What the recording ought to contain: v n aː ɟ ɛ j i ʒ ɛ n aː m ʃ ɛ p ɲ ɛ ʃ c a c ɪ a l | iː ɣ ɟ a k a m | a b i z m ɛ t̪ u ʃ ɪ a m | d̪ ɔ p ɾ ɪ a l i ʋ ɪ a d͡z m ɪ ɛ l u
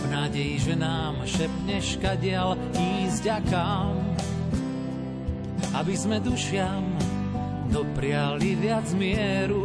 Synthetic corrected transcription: v n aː ɟ ɛ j i ʒ ɛ n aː m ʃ ɛ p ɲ ɛ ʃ k a ɟ ɪ a l | iː z ɟ a k a m | a b i z m ɛ d̪ u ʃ ɪ a m | d̪ ɔ p ɾ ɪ a l i ʋ ɪ a d͡z m ɪ ɛ ɾ u